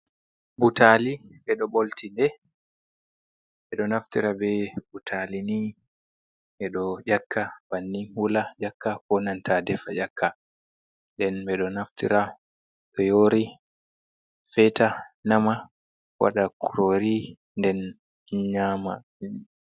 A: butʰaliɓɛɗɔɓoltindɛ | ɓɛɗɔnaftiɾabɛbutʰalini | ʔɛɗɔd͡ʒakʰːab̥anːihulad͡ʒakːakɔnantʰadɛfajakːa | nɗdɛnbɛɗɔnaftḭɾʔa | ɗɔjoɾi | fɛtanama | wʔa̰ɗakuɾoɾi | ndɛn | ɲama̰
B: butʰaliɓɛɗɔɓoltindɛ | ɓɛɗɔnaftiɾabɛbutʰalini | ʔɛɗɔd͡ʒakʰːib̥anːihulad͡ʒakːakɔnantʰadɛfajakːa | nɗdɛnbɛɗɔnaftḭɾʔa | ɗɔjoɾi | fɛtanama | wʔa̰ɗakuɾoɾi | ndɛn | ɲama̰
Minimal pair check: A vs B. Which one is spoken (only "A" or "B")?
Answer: A